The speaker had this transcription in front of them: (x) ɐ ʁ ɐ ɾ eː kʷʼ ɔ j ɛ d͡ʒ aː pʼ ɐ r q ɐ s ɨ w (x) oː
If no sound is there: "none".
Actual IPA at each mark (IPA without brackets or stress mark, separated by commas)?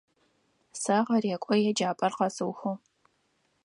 s, x